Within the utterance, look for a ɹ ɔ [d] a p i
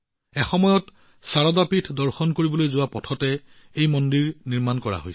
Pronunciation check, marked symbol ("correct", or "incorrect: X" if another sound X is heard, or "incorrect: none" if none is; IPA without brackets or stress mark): correct